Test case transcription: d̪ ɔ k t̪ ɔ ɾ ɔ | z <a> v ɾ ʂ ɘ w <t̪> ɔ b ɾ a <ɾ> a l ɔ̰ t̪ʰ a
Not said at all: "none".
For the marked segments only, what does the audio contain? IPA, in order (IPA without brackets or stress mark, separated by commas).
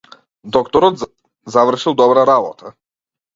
a, d̪, ɾ